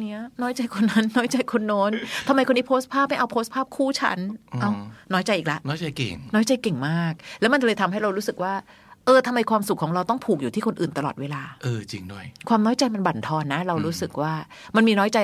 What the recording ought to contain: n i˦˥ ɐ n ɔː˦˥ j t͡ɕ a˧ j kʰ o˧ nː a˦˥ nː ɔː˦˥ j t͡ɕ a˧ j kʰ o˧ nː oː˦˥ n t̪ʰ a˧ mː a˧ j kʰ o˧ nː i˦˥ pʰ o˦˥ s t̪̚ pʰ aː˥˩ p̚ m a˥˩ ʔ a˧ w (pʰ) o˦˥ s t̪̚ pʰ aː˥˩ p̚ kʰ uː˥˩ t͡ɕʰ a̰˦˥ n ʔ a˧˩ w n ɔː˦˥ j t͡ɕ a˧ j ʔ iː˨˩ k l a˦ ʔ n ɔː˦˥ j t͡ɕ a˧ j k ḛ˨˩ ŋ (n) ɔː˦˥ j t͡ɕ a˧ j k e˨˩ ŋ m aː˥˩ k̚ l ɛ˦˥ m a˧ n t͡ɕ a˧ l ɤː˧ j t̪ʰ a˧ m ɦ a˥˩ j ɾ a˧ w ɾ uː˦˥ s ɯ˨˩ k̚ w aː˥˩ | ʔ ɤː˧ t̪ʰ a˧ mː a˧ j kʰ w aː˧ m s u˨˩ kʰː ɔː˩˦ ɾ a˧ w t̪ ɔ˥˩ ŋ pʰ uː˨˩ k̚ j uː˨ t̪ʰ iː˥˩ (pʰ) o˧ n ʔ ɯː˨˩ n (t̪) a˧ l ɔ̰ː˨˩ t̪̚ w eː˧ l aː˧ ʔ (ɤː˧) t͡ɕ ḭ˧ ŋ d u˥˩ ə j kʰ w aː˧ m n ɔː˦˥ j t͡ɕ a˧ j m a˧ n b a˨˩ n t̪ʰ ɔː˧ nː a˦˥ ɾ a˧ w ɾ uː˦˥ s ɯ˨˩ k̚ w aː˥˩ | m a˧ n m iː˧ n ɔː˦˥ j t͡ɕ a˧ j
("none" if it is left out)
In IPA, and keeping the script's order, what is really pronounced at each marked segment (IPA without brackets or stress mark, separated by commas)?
pʰ, n, kʰ, t̪, ɤː˧